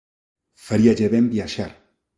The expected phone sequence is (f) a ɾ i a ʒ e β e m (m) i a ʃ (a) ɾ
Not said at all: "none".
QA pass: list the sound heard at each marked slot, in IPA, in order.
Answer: f, b, a

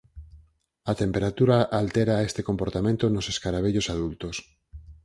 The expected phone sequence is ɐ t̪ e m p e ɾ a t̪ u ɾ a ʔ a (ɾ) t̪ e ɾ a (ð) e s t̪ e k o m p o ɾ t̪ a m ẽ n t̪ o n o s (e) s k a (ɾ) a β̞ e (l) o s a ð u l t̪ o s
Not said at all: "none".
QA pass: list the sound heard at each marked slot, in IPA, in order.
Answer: l, none, e, ɾ, ʎ

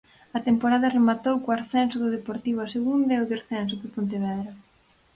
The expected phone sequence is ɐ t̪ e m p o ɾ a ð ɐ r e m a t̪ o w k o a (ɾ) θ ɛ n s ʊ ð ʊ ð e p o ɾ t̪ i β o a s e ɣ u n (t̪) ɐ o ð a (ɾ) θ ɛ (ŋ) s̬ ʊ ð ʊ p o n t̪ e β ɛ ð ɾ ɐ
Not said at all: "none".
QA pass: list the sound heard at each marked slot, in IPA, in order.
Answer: ɾ, d̪, ɾ, n

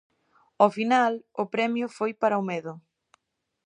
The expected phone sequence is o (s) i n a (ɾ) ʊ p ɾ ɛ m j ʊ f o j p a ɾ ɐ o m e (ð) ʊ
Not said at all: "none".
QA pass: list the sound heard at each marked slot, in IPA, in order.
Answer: f, l, ð

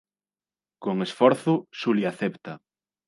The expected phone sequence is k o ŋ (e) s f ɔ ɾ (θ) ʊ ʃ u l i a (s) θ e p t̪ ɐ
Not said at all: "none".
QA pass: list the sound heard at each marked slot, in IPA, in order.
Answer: e, θ, none

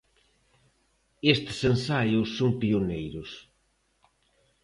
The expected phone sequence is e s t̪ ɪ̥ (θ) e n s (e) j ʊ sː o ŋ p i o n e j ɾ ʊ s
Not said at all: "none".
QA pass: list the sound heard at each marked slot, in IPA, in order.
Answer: s, a

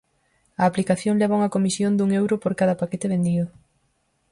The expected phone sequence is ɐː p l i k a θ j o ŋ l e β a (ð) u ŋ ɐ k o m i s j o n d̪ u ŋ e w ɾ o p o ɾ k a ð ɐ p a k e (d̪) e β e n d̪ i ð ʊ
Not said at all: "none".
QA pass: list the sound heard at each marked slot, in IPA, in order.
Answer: none, t̪

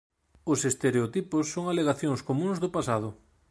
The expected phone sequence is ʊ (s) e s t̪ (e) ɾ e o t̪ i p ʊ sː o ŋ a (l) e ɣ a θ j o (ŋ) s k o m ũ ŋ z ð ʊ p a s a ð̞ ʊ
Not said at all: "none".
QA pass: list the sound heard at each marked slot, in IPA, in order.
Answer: s, e, l, ŋ

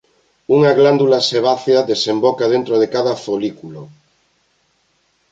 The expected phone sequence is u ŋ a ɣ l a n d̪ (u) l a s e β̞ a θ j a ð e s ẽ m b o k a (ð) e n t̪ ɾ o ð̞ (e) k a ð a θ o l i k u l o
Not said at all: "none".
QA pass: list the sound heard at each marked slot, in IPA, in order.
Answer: u, ð, e

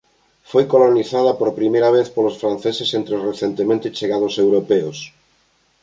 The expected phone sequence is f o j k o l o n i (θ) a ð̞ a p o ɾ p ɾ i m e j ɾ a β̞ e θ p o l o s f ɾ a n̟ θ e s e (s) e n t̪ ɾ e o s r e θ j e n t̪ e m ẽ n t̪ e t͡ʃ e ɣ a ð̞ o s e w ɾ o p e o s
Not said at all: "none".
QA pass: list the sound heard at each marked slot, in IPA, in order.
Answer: θ, s

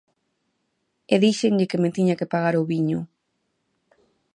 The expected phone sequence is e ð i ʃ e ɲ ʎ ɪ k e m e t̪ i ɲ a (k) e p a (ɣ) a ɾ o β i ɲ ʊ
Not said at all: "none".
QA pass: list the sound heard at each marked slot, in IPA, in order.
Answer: k, ɣ

